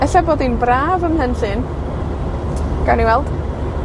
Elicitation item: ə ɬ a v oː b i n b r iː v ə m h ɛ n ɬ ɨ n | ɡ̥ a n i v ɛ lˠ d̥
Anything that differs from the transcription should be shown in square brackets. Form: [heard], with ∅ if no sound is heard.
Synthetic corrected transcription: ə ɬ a [b] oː [d] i n b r [aː] v ə m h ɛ n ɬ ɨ n | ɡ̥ a n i [w] ɛ lˠ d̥